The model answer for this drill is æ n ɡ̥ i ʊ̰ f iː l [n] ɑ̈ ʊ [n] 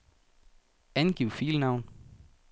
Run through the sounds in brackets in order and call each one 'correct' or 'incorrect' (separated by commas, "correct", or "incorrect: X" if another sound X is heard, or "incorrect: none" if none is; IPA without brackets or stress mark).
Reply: correct, correct